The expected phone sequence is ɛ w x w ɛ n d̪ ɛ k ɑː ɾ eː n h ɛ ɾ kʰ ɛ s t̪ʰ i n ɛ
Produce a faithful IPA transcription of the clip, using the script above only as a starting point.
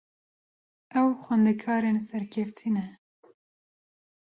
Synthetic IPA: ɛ w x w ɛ n d̪ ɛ kʰ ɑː ɾ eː n s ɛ ɾ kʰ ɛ f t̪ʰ i n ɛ

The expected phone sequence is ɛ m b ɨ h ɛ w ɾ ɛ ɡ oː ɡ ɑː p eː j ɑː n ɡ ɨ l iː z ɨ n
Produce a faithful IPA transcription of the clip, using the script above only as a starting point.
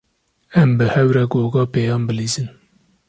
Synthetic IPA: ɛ m b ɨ h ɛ w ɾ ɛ ɡ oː ɡ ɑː p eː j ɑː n b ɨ l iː z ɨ n

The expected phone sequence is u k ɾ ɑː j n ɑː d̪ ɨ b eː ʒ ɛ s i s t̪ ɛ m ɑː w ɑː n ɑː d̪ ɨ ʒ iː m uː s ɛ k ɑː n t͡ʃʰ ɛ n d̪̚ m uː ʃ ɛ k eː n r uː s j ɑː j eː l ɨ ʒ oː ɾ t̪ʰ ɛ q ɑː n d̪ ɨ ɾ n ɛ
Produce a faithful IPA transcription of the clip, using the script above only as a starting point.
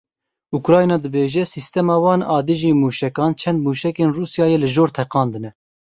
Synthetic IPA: u k ɾ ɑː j n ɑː d̪ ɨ b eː ʒ ɛ s i s t̪ ɛ m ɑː w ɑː n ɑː d̪ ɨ ʒ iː m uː ʃ ɛ k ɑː n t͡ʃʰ ɛ n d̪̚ m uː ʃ ɛ k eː n r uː s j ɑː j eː l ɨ ʒ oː ɾ t̪ʰ ɛ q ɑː n d̪ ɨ n ɛ

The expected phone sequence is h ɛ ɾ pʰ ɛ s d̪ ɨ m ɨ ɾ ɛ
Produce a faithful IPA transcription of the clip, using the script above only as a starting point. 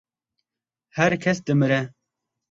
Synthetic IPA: h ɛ ɾ kʰ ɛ s d̪ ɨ m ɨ ɾ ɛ

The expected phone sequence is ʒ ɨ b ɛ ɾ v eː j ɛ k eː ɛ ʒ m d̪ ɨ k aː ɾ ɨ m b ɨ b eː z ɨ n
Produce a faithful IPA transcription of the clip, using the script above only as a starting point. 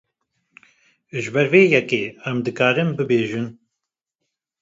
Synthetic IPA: ʒ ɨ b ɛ ɾ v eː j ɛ k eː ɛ m d̪ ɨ k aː ɾ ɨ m b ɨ b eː ʒ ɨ n

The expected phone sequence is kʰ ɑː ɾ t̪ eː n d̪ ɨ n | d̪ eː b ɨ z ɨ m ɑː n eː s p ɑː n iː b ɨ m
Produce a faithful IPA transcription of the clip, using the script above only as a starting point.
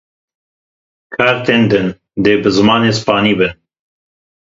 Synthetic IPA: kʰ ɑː ɾ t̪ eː n d̪ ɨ n | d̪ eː b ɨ z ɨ m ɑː n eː s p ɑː n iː b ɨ n

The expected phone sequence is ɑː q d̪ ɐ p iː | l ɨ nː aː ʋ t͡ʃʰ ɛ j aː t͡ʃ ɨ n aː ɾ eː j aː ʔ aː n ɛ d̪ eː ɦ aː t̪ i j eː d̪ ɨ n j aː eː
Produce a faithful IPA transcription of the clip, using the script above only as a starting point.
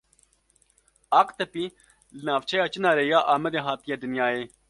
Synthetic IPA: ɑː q t̪ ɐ p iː | l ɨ n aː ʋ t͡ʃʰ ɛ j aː t͡ʃ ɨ n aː ɾ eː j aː ʔ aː m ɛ d̪ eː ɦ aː t̪ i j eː d̪ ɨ n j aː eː

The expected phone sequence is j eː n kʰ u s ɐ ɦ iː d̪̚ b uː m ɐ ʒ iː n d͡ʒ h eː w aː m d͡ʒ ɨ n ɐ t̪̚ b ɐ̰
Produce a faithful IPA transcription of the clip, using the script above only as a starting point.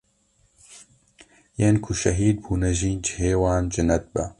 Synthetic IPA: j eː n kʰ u ʃ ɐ ɦ iː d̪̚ b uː n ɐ ʒ iː n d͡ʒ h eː w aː n d͡ʒ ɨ n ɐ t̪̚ b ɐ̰

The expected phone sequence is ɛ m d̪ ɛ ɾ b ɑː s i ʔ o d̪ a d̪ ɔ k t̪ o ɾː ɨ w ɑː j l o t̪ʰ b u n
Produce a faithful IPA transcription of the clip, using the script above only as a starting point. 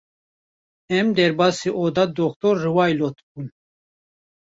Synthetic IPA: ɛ m d̪ ɛ ɾ b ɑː s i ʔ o d̪ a d̪ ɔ k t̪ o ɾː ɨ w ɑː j l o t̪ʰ b u n

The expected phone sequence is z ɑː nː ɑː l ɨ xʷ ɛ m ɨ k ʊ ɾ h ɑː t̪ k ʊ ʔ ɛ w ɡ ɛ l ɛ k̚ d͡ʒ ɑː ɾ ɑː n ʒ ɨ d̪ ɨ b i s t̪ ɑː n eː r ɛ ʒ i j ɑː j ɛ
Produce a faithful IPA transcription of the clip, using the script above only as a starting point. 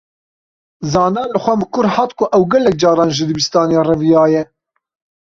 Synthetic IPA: z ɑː n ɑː l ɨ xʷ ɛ m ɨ k ʊ ɾ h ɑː t̪ k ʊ ʔ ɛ w ɡ ɛ l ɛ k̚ d͡ʒ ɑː ɾ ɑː n ʒ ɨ d̪ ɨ b i s t̪ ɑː n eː r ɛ v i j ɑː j ɛ

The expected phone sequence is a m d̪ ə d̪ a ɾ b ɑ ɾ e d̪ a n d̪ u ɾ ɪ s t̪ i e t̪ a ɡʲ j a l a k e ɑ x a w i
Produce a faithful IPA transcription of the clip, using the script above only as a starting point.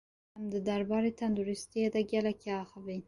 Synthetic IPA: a m d̪ ə d̪ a ɾ b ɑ ɾ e t̪ a n d̪ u ɾ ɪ s t̪ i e d̪ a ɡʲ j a l a k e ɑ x a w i

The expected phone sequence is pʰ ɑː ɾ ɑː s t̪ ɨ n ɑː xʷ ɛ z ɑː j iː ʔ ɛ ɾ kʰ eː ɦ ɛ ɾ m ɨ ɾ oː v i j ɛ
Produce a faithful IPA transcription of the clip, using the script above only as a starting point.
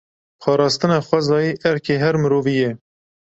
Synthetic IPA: pʰ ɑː ɾ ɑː s t̪ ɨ n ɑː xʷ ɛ z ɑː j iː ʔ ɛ ɾ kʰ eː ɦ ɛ ɾ m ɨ ɾ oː v i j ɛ

